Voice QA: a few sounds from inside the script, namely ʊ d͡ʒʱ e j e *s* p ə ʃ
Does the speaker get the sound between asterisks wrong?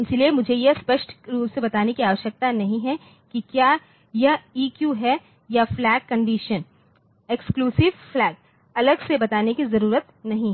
no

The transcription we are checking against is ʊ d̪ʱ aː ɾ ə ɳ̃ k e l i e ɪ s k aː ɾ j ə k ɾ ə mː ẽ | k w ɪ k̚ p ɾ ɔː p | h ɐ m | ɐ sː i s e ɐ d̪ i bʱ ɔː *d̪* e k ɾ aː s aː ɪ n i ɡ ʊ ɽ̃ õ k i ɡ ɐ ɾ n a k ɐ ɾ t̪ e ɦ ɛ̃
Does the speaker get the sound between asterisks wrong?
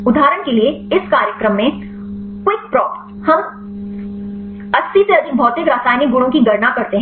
yes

